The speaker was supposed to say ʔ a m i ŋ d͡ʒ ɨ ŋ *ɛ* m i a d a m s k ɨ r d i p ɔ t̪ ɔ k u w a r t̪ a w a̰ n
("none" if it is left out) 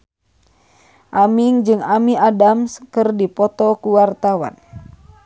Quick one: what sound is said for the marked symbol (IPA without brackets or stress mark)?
a